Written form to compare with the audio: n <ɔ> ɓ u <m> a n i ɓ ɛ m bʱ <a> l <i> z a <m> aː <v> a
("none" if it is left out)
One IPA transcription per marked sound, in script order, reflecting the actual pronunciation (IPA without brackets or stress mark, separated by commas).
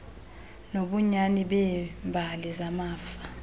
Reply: o, ɲ, a, i, m, f